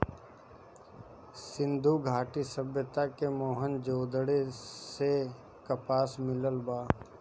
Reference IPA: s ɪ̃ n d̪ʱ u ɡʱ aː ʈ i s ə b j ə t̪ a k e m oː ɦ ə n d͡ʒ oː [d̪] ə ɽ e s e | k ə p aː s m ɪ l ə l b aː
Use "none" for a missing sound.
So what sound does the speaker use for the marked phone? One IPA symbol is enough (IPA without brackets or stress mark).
d̪